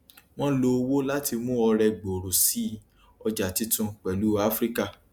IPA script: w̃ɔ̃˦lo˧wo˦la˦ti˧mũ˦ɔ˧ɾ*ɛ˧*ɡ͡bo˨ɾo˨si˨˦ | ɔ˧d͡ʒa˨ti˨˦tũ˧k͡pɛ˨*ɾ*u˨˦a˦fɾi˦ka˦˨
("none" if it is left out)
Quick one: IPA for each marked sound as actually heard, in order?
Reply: ɛ˧, l

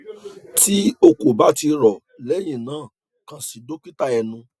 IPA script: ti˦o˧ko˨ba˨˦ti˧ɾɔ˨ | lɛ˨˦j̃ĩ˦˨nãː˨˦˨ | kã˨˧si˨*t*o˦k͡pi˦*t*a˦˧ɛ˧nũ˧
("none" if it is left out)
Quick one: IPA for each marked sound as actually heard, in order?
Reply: d, t

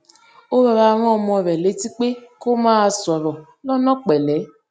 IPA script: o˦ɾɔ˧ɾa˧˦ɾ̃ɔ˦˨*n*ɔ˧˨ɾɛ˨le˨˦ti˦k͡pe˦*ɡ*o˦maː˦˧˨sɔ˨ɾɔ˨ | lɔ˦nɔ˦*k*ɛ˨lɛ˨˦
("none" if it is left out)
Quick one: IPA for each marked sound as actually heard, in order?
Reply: m, k, k͡p

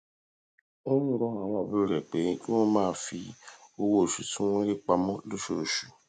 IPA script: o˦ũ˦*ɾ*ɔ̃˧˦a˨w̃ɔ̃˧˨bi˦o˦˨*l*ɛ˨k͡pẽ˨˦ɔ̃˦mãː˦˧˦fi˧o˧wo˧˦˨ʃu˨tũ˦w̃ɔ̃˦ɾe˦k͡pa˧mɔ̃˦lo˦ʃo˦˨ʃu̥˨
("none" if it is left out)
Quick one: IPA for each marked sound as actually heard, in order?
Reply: ɾ, ɾ

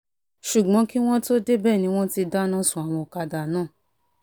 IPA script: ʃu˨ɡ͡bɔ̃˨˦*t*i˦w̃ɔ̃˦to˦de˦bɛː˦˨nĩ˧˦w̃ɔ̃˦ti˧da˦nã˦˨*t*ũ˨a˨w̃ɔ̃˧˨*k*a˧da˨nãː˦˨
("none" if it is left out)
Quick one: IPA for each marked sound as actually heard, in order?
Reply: k, s, k

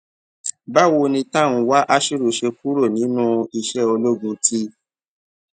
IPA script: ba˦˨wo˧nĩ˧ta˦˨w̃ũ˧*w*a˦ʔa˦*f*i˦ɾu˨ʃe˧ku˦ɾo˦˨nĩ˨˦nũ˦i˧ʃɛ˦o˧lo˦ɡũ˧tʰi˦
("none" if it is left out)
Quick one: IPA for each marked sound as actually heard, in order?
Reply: w, ʃ

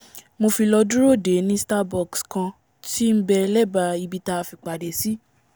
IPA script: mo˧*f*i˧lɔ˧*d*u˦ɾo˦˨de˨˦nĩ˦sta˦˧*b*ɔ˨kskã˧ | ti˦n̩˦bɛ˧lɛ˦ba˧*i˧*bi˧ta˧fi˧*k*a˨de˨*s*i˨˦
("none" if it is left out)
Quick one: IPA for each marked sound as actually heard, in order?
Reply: f, d, b, i˧, k͡p, s

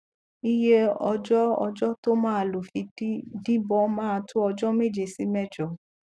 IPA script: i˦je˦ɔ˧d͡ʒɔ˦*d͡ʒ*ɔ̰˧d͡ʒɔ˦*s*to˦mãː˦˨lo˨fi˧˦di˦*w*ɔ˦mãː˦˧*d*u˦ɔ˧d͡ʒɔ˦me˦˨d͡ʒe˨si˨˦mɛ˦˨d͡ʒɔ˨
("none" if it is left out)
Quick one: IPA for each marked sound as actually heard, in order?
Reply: none, none, b, t

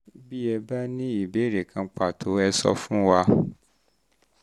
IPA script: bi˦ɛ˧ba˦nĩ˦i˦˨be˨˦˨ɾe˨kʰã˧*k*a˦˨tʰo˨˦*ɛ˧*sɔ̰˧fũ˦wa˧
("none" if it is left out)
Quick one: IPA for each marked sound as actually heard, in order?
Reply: k͡p, ɛ˧

